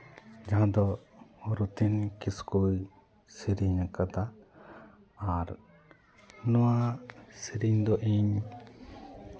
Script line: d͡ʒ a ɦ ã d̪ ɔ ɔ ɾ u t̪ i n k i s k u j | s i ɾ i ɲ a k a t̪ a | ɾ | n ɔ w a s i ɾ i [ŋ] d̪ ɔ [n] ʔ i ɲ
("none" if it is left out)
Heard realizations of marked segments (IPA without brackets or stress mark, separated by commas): ɲ, none